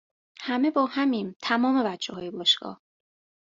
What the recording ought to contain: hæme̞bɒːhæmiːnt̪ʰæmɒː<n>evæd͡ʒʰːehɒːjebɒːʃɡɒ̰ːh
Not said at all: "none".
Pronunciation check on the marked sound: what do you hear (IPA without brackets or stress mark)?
m